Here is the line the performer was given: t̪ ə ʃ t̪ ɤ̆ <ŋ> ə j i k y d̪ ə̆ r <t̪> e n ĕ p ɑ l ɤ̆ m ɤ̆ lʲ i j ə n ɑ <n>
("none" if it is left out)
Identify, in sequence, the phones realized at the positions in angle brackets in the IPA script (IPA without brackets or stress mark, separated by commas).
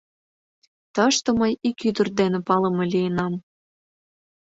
m, d̪, m